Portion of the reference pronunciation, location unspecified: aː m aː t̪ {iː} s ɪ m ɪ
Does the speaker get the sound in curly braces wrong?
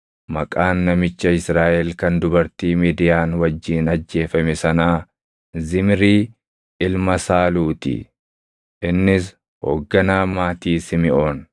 no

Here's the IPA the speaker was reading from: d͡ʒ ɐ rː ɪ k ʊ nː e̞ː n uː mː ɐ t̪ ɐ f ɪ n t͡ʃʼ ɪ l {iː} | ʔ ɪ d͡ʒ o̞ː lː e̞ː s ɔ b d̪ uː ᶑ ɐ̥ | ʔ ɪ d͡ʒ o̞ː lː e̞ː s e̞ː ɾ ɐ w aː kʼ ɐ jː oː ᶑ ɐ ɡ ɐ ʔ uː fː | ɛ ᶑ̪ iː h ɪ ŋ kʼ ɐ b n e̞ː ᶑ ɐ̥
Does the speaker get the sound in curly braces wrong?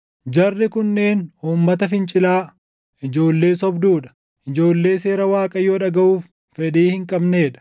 yes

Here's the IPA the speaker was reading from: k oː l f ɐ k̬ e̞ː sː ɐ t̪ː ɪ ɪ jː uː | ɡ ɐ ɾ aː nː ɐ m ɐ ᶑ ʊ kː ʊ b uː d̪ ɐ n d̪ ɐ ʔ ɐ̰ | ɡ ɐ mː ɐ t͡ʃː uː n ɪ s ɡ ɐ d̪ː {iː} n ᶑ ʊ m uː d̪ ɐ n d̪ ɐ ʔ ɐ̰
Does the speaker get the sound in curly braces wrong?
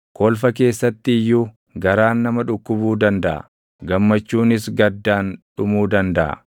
yes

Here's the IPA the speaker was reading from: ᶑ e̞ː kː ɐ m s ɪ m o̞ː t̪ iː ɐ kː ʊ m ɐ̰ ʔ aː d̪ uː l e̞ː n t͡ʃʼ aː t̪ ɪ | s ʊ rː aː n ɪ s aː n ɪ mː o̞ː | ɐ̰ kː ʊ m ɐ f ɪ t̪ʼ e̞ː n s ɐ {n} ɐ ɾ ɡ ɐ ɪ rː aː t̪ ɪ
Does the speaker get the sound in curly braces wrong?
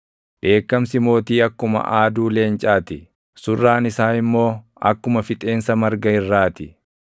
yes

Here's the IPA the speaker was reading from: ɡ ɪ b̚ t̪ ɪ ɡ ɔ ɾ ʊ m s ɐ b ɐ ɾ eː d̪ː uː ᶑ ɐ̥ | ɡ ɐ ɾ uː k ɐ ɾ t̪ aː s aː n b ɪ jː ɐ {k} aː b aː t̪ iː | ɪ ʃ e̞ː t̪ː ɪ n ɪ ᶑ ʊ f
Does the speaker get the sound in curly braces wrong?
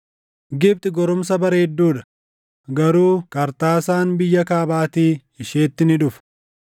no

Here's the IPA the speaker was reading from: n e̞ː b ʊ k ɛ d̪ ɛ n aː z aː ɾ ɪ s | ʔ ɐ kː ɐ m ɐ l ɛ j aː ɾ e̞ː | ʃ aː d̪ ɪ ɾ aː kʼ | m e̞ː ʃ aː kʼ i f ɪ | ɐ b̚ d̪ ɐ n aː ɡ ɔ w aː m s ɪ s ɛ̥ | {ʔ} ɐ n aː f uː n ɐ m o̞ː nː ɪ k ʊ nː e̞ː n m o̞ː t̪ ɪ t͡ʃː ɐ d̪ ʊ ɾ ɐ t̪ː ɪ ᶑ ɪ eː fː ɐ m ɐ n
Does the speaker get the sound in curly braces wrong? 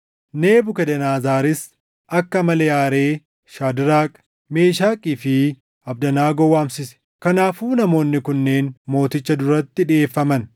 yes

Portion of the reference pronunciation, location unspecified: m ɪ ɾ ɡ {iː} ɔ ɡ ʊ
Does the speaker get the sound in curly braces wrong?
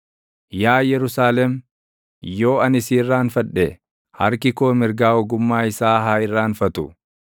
yes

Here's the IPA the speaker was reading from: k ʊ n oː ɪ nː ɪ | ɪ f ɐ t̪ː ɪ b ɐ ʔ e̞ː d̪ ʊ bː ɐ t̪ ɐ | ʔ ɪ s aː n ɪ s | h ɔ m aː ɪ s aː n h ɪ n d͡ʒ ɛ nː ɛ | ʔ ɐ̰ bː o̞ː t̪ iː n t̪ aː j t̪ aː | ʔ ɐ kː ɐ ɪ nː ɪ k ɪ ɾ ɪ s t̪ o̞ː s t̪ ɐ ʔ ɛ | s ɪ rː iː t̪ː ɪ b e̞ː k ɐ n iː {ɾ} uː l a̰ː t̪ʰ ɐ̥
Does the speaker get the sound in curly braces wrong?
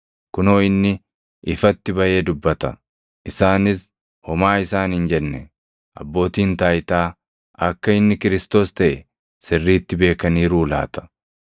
no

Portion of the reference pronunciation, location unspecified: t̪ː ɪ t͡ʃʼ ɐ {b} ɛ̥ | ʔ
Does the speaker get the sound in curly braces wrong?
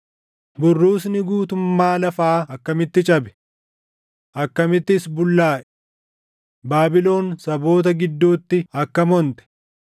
no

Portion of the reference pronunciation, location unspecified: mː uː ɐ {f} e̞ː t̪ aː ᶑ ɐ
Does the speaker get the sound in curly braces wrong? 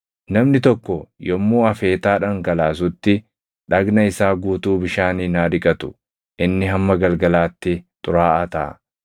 no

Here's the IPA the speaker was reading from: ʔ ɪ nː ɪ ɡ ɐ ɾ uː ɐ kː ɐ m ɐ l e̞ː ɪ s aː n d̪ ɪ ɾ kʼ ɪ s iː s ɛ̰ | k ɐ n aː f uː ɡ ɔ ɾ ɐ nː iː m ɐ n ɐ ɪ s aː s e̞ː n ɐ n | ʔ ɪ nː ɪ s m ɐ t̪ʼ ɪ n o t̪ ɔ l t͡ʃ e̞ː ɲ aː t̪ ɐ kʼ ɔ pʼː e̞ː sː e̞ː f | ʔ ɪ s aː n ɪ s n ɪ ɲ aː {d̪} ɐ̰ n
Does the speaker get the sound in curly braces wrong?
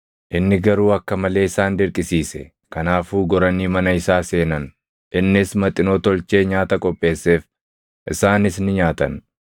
yes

